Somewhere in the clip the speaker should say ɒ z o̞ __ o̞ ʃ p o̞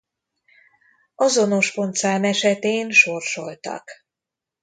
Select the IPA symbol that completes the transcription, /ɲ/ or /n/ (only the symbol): n